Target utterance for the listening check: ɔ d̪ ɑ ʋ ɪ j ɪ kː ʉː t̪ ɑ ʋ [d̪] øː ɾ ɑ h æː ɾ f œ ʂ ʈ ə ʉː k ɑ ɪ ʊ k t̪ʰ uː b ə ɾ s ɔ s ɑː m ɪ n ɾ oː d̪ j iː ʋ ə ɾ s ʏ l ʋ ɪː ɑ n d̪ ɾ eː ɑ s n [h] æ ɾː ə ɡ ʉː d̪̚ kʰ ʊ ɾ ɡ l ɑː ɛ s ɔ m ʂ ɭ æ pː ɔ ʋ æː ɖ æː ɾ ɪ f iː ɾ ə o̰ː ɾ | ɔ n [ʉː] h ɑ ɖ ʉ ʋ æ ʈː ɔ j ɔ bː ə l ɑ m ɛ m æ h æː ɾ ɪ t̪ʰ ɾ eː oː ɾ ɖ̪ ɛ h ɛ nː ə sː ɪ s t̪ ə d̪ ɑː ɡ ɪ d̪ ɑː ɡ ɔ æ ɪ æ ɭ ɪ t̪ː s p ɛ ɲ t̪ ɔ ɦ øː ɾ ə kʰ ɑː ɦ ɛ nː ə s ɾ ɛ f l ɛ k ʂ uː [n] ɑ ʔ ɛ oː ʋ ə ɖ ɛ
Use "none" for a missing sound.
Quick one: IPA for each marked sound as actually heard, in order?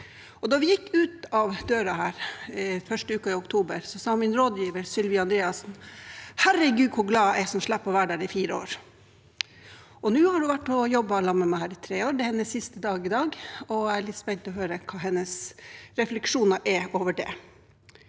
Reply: d̪, h, ʉː, n

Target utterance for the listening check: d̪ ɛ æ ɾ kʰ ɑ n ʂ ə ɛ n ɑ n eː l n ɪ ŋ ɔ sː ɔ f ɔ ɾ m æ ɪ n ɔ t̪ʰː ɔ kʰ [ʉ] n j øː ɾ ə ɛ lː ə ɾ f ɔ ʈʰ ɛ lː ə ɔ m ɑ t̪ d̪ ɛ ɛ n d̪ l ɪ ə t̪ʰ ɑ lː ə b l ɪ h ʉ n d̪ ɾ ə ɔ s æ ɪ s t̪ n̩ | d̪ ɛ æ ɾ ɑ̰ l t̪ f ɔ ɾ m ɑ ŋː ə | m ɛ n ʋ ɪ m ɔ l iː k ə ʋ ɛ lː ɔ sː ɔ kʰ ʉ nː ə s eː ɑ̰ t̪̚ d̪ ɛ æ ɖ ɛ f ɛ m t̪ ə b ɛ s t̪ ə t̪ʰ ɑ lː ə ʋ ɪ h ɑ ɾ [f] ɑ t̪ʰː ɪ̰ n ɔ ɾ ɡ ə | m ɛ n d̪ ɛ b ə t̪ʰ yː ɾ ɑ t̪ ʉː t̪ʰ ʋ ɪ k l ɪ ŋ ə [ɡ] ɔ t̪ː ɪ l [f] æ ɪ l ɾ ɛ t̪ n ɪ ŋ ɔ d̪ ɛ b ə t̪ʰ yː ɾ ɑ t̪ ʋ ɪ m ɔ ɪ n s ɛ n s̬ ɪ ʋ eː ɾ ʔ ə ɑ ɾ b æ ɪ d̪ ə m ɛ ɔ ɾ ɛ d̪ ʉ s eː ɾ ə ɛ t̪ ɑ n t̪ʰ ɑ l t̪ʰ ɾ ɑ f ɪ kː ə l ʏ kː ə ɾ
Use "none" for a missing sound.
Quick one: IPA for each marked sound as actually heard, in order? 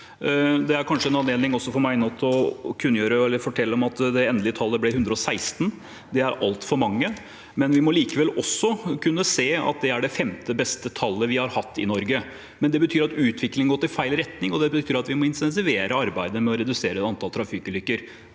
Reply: ʉ, h, ɡ, f

